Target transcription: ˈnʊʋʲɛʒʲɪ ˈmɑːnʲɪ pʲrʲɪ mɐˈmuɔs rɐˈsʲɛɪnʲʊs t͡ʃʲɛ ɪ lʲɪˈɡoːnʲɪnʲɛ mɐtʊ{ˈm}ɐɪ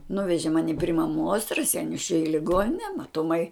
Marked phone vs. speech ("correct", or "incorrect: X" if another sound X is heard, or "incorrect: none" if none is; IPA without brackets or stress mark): correct